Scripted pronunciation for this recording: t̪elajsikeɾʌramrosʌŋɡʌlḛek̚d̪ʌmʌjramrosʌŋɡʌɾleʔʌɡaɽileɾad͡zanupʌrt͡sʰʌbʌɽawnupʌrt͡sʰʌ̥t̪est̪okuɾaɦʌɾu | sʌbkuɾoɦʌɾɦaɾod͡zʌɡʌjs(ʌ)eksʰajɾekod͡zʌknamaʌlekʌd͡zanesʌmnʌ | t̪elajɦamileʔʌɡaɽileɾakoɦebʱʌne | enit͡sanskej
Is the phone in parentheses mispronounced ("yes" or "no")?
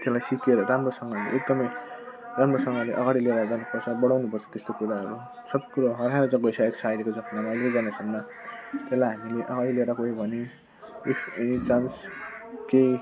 yes